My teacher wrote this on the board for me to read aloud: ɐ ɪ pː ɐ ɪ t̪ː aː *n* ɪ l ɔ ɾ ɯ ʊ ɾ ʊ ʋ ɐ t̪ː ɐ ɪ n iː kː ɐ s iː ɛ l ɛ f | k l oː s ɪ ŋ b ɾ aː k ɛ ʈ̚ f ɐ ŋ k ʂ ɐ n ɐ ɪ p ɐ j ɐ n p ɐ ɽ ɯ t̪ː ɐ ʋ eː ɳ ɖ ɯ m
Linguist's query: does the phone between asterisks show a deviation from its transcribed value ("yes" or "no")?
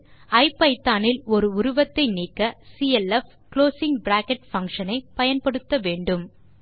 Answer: no